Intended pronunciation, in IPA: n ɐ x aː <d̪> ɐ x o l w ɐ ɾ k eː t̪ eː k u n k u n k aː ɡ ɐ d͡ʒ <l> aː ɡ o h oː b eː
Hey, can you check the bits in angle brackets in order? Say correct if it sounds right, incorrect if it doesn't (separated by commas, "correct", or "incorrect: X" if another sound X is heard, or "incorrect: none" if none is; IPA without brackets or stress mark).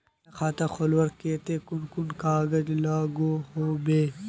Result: incorrect: t̪, correct